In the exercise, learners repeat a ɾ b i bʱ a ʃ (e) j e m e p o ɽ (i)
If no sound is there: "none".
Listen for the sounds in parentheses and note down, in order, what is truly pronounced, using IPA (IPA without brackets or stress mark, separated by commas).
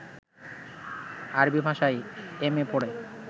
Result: a, e